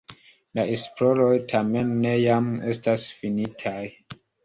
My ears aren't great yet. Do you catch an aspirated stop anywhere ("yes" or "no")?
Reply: yes